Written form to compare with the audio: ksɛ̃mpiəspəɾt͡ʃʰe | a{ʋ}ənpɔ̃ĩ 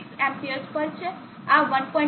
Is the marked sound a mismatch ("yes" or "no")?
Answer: no